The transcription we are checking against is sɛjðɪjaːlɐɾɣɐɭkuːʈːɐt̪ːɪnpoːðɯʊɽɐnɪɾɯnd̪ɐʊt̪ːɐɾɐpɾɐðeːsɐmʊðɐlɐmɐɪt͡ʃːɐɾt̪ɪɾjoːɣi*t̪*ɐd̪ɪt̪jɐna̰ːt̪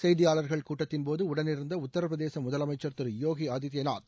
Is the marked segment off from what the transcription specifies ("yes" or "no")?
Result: yes